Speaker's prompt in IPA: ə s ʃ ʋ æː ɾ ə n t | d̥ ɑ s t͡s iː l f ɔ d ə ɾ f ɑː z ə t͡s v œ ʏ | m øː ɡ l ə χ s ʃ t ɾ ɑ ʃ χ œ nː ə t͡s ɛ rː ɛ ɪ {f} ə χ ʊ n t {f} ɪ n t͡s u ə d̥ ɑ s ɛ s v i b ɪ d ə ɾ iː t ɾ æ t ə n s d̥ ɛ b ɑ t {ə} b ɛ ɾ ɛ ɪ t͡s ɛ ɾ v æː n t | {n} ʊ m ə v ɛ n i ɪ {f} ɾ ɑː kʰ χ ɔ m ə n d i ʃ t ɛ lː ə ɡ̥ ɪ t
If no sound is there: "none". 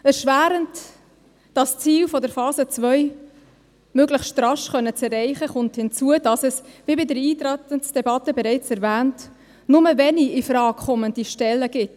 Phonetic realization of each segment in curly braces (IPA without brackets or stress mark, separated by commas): χ, h, ə, n, f